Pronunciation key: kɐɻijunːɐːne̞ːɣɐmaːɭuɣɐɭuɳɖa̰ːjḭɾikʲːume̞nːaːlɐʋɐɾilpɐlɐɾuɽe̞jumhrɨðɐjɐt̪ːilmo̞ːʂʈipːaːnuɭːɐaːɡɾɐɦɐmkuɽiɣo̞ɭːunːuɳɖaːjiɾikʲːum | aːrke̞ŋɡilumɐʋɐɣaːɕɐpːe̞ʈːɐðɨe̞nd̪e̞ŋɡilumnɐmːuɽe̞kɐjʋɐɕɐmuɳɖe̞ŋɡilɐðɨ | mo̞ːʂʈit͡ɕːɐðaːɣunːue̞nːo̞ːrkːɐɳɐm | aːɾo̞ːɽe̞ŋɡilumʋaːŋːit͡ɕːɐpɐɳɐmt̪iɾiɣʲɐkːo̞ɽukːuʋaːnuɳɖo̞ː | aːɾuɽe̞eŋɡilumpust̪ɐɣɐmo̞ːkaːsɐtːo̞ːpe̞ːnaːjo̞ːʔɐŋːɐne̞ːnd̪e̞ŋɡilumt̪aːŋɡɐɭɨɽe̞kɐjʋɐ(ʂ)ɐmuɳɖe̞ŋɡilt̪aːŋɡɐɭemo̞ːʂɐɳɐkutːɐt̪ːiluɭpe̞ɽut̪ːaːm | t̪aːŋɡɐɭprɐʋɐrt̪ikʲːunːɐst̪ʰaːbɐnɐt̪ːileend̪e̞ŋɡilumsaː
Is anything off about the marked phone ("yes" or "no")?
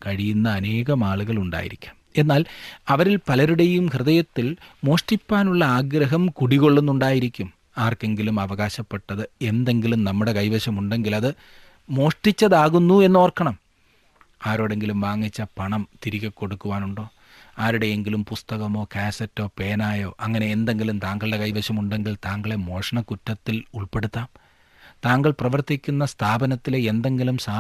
yes